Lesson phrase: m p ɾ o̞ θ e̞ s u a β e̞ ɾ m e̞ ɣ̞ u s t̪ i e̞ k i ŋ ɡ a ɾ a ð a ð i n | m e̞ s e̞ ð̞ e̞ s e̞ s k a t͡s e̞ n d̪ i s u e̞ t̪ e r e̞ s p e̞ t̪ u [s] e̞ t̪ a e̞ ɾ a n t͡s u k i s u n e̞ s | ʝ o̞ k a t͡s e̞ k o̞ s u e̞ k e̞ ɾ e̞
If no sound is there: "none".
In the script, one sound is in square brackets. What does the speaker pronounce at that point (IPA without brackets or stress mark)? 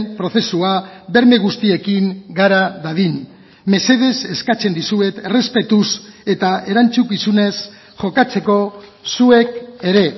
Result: s